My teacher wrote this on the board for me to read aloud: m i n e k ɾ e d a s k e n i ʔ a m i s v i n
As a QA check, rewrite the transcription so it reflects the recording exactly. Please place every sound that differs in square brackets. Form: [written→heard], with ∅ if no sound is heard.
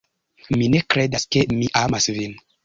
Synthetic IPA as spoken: m i n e k ɾ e d a s k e [n→m] i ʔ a m [i→a] s v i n